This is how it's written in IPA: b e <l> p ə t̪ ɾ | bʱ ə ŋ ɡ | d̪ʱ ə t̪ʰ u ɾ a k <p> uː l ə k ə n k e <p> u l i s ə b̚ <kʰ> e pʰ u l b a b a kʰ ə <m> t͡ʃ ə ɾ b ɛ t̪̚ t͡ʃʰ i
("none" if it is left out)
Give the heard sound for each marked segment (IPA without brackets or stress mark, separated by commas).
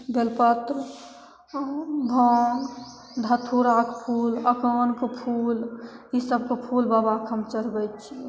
l, pʰ, pʰ, k, m